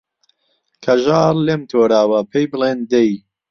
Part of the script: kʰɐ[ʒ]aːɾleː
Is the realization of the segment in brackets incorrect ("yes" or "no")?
no